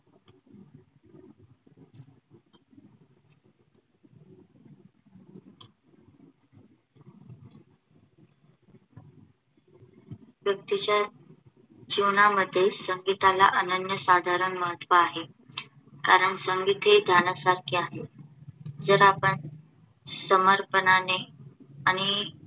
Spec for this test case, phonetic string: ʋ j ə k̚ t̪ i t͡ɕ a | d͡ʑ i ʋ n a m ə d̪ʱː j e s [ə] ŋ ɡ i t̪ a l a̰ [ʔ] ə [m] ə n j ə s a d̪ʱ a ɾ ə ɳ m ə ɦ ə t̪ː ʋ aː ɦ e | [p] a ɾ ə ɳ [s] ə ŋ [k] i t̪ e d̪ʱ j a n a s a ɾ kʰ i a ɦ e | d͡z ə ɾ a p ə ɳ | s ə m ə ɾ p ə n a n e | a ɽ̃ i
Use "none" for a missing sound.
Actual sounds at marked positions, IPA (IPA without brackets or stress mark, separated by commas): ə, ʔ, n, k, s, ɡ